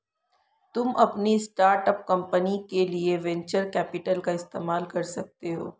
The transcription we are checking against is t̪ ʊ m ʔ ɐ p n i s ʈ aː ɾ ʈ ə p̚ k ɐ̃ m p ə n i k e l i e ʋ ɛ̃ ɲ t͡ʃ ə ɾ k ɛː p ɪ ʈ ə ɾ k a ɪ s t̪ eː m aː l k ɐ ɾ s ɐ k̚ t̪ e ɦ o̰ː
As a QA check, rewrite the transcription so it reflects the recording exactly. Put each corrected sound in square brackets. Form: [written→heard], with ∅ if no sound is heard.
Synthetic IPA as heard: t̪ ʊ m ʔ ɐ p n i s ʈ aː ɾ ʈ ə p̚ k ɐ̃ m p ə n i k e l i e ʋ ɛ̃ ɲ t͡ʃ ə ɾ k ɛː p ɪ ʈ ə [ɾ→l] k a ɪ s t̪ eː m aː l k ɐ ɾ s ɐ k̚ t̪ e ɦ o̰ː